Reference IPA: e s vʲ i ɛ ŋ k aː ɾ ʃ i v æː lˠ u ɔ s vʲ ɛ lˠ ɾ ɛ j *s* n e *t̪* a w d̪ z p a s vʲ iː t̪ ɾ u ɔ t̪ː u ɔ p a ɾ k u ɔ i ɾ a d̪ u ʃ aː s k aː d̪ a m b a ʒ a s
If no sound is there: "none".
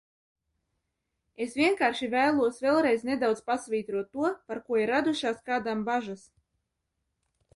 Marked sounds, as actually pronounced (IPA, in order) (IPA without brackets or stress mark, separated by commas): z, d̪